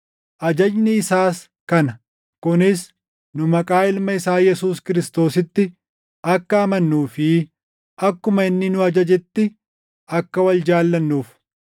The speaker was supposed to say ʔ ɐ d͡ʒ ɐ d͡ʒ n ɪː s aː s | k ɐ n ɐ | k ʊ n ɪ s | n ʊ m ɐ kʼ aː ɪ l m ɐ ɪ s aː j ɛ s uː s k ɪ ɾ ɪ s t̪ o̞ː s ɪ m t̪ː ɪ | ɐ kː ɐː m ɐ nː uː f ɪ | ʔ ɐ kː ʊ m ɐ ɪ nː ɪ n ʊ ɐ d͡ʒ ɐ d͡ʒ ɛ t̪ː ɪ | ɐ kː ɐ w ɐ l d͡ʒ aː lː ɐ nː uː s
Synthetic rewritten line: ʔ ɐ d͡ʒ ɐ d͡ʒ n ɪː s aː s | k ɐ n ɐ | k ʊ n ɪ s | n ʊ m ɐ kʼ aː ɪ l m ɐ ɪ s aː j ɛ s uː s k ɪ ɾ ɪ s t̪ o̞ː s ɪ t̪ː ɪ | ɐ kː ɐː m ɐ nː uː f ɪ | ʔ ɐ kː ʊ m ɐ ɪ nː ɪ n ʊ ɐ d͡ʒ ɐ d͡ʒ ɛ t̪ː ɪ | ɐ kː ɐ w ɐ l d͡ʒ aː lː ɐ nː uː f

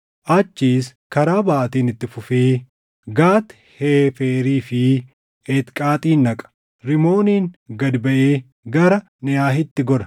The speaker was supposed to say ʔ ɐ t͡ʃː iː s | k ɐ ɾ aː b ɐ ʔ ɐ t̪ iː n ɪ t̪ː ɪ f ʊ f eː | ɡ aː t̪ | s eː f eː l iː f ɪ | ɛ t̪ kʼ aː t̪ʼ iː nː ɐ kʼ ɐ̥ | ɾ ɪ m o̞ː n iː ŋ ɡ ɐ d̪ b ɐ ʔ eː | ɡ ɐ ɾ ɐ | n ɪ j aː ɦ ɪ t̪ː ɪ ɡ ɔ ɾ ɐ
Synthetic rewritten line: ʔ ɐ t͡ʃː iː s | k ɐ ɾ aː b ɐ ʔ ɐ t̪ iː n ɪ t̪ː ɪ f ʊ f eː | ɡ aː t̪ | h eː f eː ɾ iː f ɪ | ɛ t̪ kʼ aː t̪ʼ iː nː ɐ kʼ ɐ̥ | ɾ ɪ m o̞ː n iː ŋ ɡ ɐ d̪ b ɐ ʔ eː | ɡ ɐ ɾ ɐ | n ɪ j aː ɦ ɪ t̪ː ɪ ɡ ɔ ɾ ɐ

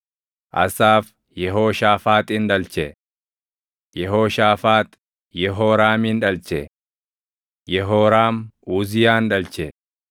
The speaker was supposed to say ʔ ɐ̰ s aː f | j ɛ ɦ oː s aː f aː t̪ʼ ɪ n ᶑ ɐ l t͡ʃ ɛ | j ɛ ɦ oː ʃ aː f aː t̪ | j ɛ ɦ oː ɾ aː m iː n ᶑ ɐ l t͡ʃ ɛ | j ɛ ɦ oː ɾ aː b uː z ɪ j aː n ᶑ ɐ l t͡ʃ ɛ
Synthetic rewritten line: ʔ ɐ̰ s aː f | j ɛ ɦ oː ʃ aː f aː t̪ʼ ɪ n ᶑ ɐ l t͡ʃ ɛ | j ɛ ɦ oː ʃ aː f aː t̪ | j ɛ ɦ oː ɾ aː m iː n ᶑ ɐ l t͡ʃ ɛ | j ɛ ɦ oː ɾ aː m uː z ɪ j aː n ᶑ ɐ l t͡ʃ ɛ

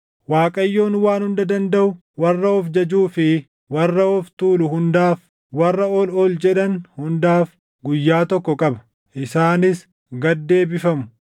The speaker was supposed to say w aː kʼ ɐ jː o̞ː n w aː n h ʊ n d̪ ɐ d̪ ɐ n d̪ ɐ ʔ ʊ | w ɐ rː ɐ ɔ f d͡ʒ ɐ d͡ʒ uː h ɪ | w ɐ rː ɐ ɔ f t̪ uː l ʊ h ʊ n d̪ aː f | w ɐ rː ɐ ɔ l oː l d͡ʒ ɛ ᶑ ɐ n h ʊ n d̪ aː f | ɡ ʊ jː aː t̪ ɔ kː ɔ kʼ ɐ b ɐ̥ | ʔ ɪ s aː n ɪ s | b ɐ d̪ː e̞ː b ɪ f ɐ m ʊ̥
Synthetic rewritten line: w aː kʼ ɐ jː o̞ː n w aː n h ʊ n d̪ ɐ d̪ ɐ n d̪ ɐ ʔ ʊ | w ɐ rː ɐ ɔ f d͡ʒ ɐ d͡ʒ uː f ɪ | w ɐ rː ɐ ɔ f t̪ uː l ʊ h ʊ n d̪ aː f | w ɐ rː ɐ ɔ l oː l d͡ʒ ɛ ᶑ ɐ n h ʊ n d̪ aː f | ɡ ʊ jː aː t̪ ɔ kː ɔ kʼ ɐ b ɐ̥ | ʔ ɪ s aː n ɪ s | ɡ ɐ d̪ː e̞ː b ɪ f ɐ m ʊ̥

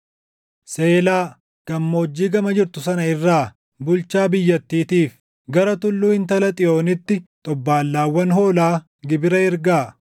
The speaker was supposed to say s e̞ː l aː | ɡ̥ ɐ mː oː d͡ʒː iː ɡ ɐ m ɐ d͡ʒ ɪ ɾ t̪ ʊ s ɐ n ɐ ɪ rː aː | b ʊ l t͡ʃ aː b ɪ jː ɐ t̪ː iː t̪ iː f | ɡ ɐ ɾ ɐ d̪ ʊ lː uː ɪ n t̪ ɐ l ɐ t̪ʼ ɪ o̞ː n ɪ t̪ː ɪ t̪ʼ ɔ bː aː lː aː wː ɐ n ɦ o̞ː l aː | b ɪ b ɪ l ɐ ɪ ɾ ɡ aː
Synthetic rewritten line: s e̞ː l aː | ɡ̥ ɐ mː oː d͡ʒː iː ɡ ɐ m ɐ d͡ʒ ɪ ɾ t̪ ʊ s ɐ n ɐ ɪ rː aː | b ʊ l t͡ʃ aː b ɪ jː ɐ t̪ː iː t̪ iː f | ɡ ɐ ɾ ɐ t̪ ʊ lː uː ɪ n t̪ ɐ l ɐ t̪ʼ ɪ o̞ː n ɪ t̪ː ɪ t̪ʼ ɔ bː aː lː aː wː ɐ n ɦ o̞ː l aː | ɡ ɪ b ɪ ɾ ɐ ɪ ɾ ɡ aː

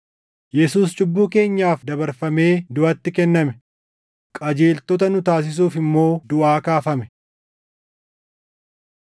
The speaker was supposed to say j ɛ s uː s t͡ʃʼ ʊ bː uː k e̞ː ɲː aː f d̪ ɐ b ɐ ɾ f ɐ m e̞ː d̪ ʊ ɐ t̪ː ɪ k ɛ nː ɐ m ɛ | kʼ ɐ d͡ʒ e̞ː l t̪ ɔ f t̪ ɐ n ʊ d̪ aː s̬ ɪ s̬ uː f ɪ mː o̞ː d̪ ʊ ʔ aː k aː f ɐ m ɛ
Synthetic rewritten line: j ɛ s uː s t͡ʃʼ ʊ bː uː k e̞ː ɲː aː f d̪ ɐ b ɐ ɾ f ɐ m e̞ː d̪ ʊ ɐ t̪ː ɪ k ɛ nː ɐ m ɛ | kʼ ɐ d͡ʒ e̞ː l t̪ ɔ t̪ ɐ n ʊ t̪ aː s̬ ɪ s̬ uː f ɪ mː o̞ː d̪ ʊ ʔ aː k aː f ɐ m ɛ

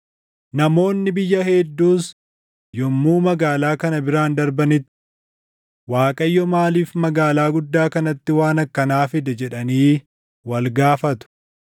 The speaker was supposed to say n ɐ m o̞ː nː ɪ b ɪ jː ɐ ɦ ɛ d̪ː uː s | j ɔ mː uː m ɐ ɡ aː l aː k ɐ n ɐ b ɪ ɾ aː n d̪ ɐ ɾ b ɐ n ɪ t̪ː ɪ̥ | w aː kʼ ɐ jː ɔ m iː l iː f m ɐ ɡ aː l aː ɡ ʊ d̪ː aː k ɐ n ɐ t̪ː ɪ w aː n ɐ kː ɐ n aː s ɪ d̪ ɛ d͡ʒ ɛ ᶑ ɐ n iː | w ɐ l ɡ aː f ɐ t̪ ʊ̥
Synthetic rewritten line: n ɐ m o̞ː nː ɪ b ɪ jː ɐ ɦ ɛ d̪ː uː s | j ɔ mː uː m ɐ ɡ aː l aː k ɐ n ɐ b ɪ ɾ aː n d̪ ɐ ɾ b ɐ n ɪ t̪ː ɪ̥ | w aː kʼ ɐ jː ɔ m aː l iː f m ɐ ɡ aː l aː ɡ ʊ d̪ː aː k ɐ n ɐ t̪ː ɪ w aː n ɐ kː ɐ n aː f ɪ d̪ ɛ d͡ʒ ɛ ᶑ ɐ n iː | w ɐ l ɡ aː f ɐ t̪ ʊ̥

